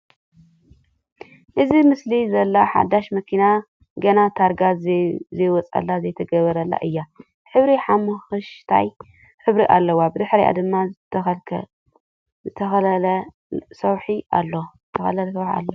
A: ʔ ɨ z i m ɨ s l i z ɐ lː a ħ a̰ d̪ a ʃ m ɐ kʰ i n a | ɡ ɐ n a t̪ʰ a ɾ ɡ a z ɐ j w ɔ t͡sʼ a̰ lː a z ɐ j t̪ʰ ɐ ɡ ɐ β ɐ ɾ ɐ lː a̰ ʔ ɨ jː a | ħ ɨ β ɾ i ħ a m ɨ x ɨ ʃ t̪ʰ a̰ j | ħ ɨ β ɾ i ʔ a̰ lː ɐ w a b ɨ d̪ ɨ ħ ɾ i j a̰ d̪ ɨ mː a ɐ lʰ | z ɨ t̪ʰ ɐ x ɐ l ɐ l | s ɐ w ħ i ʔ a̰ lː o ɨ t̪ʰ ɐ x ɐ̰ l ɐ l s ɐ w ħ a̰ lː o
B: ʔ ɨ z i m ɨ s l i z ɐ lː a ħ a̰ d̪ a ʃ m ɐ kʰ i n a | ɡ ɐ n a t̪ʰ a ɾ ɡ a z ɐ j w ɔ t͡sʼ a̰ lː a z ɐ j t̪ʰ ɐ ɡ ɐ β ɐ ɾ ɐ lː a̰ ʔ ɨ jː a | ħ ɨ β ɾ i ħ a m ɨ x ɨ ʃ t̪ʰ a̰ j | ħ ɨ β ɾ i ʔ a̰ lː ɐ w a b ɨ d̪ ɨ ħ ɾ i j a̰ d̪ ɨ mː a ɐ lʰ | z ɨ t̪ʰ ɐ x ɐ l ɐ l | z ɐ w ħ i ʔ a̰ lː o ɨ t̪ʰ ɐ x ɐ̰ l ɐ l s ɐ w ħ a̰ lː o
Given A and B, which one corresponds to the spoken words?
A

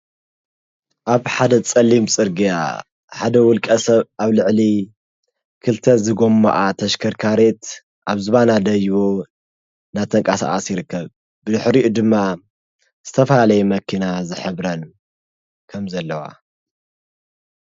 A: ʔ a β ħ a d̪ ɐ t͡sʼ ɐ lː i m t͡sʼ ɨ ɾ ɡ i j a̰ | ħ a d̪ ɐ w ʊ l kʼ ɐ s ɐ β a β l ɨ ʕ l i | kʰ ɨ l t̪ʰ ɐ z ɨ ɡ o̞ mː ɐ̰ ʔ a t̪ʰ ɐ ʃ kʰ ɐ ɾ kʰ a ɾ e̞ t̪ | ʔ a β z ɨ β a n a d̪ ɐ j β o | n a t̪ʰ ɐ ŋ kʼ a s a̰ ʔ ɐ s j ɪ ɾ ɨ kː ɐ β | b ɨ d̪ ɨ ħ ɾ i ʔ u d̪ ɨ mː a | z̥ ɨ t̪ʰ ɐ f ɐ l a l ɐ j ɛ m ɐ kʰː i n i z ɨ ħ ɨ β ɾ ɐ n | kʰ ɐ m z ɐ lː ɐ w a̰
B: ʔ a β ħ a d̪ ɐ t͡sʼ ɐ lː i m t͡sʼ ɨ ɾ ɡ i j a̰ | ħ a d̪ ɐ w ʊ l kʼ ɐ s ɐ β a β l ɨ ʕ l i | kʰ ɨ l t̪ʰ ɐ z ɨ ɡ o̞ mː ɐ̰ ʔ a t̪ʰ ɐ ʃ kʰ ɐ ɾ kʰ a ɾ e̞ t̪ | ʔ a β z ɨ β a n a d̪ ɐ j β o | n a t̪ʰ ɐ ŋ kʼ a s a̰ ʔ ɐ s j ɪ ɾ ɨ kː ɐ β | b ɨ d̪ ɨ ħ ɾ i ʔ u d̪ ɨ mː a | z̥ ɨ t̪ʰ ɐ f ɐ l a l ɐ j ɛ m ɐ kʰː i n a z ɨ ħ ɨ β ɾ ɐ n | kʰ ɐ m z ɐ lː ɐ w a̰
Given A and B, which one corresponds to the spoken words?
B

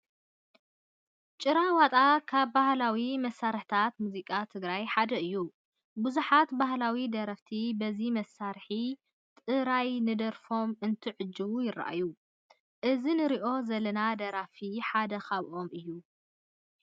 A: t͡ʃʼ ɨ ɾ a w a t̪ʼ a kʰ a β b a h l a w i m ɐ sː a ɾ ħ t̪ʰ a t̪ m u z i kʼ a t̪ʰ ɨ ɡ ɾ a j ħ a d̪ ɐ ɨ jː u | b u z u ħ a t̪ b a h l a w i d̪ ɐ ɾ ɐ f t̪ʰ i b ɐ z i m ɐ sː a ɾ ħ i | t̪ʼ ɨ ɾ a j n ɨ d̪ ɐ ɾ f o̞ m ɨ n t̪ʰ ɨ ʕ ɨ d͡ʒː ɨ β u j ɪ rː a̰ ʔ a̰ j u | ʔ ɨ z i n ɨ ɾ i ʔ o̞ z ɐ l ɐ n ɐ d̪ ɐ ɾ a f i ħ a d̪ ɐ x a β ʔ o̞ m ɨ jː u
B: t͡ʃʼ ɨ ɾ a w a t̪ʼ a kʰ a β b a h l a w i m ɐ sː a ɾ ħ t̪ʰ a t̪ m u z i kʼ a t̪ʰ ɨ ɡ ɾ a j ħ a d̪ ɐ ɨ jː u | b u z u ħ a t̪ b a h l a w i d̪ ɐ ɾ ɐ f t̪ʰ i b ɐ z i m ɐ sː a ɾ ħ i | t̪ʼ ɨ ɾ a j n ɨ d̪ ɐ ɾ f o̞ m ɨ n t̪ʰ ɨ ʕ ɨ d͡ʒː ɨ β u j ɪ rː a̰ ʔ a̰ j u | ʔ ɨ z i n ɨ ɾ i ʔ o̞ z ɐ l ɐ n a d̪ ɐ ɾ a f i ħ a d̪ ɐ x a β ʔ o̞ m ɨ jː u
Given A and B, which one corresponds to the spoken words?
B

